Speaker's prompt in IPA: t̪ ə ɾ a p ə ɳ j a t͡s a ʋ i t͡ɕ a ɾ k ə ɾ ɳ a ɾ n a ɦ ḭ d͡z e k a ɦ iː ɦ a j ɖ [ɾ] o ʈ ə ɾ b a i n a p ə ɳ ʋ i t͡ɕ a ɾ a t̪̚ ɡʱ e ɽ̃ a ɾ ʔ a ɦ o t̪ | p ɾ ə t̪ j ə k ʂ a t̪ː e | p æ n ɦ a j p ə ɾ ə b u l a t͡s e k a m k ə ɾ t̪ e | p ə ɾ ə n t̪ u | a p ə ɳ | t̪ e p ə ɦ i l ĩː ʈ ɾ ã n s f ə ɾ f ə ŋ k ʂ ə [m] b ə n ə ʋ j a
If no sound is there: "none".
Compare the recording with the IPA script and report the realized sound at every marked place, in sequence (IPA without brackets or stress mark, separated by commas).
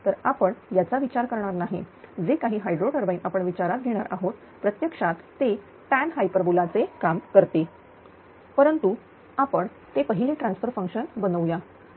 ɾ, n